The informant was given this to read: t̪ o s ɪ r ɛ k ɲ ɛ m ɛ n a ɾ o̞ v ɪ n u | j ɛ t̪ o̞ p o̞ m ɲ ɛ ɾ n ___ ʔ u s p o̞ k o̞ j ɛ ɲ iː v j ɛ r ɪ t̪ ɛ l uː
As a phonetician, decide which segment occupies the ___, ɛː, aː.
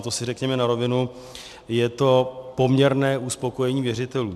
ɛː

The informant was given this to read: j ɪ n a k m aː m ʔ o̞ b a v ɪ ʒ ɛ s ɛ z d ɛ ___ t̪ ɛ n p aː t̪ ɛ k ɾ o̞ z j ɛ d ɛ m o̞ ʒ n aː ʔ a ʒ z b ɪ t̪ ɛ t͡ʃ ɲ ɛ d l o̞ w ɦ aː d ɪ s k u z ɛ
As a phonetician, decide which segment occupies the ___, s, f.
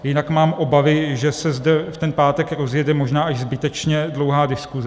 f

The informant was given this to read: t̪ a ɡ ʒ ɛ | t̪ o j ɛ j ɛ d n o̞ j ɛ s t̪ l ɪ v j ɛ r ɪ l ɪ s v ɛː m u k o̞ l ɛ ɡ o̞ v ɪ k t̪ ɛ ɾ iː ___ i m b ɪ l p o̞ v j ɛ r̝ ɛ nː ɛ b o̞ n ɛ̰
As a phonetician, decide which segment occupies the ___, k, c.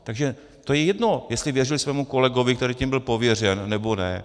c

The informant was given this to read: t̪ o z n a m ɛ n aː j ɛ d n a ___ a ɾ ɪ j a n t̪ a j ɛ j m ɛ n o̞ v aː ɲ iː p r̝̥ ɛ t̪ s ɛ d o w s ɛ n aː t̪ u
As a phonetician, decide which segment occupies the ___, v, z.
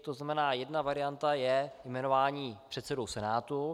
v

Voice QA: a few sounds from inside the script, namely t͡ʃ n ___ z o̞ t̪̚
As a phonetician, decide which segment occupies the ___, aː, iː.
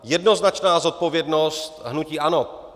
aː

